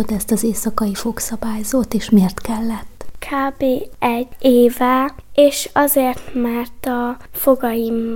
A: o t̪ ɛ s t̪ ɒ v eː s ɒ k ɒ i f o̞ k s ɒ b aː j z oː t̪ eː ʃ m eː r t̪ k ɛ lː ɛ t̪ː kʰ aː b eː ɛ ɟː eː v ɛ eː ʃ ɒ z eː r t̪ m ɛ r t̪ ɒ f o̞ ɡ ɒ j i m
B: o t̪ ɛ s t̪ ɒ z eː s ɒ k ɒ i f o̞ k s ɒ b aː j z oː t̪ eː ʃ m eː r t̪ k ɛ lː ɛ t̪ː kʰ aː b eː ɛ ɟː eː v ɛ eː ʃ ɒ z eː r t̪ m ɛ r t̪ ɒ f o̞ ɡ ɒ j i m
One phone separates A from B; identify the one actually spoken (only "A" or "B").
B